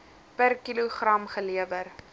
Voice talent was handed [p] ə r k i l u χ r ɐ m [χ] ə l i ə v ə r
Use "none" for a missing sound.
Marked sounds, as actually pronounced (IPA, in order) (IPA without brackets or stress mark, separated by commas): p, χ